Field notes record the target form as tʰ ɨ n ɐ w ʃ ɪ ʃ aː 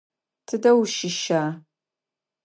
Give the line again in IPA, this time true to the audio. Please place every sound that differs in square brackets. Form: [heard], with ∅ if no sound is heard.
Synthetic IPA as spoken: tʰ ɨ [d] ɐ w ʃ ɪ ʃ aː